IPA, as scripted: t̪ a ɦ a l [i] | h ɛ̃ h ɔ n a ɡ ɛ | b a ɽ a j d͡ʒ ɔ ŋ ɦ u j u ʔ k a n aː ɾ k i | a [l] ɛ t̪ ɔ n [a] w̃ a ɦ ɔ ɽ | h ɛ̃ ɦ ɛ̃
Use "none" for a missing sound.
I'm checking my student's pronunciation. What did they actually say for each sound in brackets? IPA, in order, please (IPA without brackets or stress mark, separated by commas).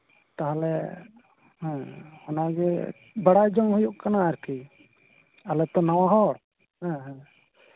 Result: ɛ, l, a